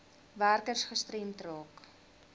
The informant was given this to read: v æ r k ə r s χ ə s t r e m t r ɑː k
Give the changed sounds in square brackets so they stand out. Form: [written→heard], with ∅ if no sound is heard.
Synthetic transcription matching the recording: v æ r k ə r s χ ə s t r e m t r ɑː k